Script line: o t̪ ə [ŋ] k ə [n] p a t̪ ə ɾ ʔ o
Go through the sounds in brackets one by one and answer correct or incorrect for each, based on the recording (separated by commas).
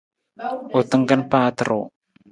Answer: correct, correct